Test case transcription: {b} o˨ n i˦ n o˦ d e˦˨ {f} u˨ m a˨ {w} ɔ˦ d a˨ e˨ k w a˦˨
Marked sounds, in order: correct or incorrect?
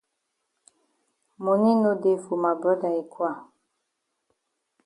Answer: incorrect: m, correct, incorrect: b

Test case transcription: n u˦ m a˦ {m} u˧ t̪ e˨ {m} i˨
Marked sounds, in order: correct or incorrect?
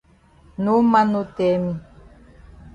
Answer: incorrect: n, correct

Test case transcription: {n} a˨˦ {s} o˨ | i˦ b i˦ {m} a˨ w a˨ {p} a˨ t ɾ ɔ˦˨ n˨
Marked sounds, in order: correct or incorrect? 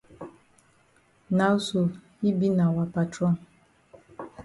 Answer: correct, correct, incorrect: n, correct

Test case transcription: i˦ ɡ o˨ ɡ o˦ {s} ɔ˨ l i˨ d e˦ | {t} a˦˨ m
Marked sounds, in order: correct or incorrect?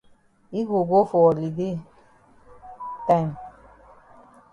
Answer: incorrect: f, correct

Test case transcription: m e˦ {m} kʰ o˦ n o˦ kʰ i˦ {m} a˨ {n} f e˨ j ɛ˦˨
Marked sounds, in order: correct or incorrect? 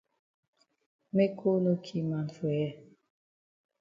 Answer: incorrect: none, correct, correct

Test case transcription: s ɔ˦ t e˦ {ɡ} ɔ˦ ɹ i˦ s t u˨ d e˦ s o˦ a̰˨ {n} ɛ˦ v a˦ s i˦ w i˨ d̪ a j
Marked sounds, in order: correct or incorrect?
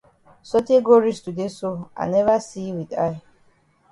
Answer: correct, correct

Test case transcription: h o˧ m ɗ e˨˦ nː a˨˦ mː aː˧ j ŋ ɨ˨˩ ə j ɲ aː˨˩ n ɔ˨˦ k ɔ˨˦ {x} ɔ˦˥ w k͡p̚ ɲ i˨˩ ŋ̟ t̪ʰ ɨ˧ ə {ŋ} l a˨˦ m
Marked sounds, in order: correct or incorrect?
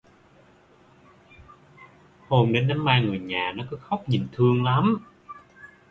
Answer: correct, correct

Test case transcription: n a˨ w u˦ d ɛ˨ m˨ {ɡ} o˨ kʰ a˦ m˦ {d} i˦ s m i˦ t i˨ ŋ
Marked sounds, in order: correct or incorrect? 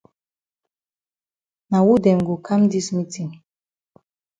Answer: correct, correct

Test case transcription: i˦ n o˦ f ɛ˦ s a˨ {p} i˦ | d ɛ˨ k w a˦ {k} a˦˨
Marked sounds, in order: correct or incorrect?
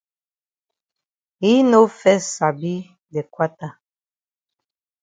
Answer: incorrect: b, incorrect: t

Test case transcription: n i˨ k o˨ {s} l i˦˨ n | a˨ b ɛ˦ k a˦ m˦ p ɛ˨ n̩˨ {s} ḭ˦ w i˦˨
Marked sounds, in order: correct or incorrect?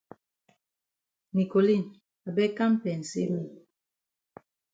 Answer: incorrect: none, correct

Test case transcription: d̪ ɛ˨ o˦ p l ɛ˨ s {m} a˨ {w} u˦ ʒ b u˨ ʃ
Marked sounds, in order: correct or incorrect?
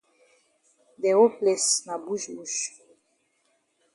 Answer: incorrect: n, incorrect: b

